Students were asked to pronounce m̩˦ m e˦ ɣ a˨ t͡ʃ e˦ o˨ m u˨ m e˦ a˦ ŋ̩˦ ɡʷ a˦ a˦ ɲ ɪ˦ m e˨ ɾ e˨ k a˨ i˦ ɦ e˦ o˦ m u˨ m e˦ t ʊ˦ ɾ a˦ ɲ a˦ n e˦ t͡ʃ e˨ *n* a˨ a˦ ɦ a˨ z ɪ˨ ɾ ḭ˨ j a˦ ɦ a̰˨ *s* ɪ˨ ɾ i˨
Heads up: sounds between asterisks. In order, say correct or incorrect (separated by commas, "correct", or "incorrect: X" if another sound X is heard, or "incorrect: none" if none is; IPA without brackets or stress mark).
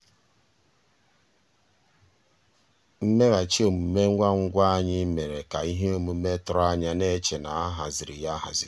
correct, incorrect: z